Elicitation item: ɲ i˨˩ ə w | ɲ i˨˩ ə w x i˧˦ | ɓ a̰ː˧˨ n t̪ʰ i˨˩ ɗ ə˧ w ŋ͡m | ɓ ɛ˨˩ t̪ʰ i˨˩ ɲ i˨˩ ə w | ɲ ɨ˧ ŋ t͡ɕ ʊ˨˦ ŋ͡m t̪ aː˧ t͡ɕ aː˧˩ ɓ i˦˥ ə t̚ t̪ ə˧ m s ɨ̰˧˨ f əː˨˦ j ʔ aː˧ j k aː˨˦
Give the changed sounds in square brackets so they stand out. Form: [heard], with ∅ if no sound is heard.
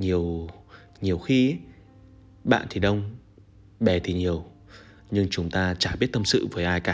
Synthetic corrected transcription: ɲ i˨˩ ə w | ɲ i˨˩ ə w x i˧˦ | ɓ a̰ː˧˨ n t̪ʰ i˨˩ ɗ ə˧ w ŋ͡m | ɓ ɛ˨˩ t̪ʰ i˨˩ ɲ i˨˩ ə w | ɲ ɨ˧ ŋ t͡ɕ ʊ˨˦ ŋ͡m t̪ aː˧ t͡ɕ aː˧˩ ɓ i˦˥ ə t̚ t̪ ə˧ m s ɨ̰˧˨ [v] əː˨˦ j ʔ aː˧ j k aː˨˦